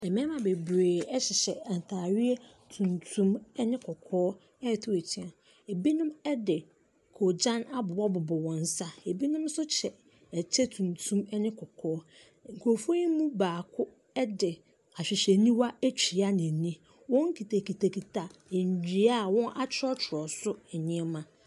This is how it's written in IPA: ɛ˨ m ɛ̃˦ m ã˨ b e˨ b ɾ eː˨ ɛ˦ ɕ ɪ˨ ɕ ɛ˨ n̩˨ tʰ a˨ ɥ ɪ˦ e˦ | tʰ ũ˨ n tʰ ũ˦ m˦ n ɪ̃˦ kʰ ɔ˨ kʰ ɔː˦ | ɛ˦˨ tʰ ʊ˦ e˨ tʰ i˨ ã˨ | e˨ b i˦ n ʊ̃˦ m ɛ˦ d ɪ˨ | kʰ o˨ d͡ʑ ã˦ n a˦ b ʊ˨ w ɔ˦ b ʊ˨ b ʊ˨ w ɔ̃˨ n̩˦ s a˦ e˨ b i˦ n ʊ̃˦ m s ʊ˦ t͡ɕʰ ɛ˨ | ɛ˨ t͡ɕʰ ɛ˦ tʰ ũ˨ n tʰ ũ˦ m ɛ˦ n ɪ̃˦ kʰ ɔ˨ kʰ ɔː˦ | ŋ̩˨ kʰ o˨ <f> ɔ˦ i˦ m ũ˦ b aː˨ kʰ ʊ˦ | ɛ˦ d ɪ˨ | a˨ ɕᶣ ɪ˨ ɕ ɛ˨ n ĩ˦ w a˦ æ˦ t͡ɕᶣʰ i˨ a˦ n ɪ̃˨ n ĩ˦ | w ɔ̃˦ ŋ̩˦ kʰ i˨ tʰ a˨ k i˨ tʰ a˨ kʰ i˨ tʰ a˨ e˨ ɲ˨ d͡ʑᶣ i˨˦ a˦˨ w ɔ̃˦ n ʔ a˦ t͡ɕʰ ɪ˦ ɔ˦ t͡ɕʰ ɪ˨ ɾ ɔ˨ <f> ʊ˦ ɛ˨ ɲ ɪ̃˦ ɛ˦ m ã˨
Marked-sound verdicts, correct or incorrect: correct, incorrect: s

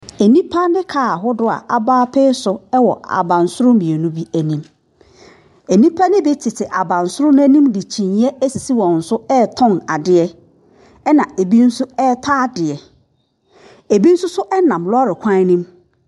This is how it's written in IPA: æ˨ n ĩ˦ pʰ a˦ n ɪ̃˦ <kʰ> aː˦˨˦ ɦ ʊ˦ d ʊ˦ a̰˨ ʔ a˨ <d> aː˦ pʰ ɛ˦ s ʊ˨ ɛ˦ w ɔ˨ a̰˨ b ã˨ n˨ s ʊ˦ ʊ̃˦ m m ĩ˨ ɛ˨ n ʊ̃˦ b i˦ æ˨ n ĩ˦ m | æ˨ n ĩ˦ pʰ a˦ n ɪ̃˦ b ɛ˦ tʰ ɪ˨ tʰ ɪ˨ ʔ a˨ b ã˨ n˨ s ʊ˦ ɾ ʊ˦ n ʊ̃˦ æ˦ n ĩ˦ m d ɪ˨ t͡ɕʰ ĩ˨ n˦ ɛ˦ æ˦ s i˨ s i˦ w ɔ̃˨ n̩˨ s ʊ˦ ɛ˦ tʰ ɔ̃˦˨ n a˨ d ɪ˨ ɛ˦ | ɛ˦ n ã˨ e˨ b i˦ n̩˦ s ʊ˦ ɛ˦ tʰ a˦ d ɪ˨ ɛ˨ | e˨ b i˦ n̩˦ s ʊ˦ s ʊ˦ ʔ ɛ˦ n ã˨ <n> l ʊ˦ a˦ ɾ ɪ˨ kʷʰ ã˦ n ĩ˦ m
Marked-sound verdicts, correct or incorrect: correct, incorrect: b, incorrect: m

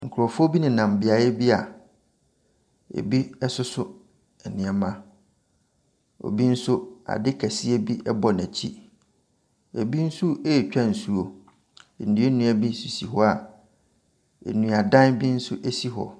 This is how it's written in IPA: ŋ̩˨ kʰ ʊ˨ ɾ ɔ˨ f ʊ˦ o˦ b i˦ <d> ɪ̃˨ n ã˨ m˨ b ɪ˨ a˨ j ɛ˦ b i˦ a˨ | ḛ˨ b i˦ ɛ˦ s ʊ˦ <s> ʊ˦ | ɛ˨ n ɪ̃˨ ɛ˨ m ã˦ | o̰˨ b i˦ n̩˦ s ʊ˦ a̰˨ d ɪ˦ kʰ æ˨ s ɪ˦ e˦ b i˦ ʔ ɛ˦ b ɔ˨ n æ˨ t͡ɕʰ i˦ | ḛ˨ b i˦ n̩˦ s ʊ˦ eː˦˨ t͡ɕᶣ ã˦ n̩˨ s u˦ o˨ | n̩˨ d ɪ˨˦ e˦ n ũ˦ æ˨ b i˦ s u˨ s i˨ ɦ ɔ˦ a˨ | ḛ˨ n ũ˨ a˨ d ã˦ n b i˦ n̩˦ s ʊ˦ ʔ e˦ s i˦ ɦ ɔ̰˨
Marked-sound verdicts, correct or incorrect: incorrect: n, correct

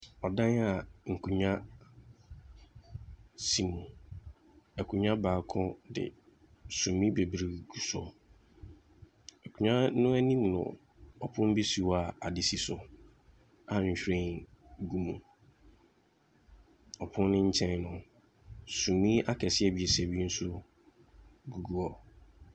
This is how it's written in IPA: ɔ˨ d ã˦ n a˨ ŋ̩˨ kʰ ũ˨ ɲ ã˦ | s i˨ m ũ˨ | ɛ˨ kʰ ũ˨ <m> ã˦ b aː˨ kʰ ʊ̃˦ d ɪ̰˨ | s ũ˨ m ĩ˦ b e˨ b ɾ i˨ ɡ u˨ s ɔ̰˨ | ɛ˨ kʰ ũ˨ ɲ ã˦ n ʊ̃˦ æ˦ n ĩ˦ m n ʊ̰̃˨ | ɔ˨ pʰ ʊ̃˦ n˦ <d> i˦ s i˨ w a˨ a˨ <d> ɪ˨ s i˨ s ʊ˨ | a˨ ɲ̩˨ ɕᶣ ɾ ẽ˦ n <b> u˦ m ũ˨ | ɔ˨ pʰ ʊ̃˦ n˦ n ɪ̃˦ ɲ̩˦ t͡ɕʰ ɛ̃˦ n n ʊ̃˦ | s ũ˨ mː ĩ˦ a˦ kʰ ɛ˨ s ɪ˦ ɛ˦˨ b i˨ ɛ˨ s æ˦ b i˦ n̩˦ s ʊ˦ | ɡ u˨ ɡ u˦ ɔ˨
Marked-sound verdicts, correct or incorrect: incorrect: ɲ, incorrect: b, correct, incorrect: ɡ

